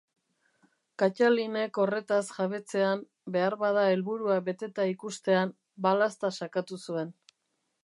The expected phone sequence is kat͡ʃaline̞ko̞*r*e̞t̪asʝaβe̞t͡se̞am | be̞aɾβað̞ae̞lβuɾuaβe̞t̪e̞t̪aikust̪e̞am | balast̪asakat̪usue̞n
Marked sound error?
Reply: no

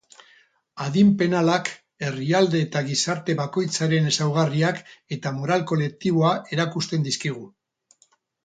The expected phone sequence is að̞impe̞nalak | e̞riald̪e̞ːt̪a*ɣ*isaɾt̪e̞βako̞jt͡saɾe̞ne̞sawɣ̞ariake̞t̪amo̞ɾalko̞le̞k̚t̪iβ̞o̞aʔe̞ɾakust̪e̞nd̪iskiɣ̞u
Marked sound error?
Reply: no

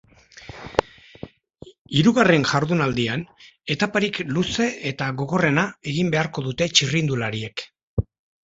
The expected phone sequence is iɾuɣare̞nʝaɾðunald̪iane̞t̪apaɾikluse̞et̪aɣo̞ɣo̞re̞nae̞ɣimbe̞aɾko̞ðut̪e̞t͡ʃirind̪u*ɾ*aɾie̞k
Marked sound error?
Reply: yes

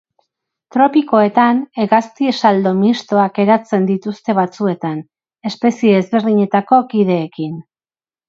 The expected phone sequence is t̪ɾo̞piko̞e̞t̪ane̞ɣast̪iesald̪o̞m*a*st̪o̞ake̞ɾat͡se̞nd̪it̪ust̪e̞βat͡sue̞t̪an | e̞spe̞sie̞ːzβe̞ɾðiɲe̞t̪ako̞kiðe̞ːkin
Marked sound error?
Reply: yes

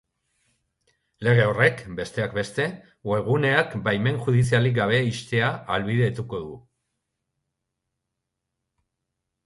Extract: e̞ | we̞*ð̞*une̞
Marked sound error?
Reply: yes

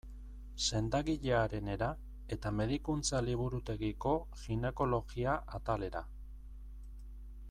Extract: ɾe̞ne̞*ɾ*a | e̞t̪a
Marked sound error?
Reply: no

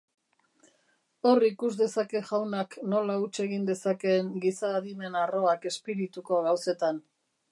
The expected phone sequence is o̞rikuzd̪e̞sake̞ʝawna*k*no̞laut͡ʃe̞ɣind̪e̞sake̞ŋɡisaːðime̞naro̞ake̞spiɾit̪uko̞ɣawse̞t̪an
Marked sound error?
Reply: no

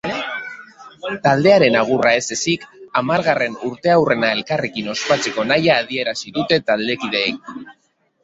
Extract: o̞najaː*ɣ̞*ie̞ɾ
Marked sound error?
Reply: yes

